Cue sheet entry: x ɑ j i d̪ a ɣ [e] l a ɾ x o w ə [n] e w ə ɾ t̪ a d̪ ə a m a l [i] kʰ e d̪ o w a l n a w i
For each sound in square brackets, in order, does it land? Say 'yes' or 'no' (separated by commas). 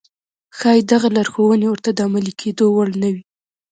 no, yes, yes